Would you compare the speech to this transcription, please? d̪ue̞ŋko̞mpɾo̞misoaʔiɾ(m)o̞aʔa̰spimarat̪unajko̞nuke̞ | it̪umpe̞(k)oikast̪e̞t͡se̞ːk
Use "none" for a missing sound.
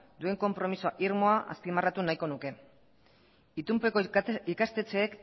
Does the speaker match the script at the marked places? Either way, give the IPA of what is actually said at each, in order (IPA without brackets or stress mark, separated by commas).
m, k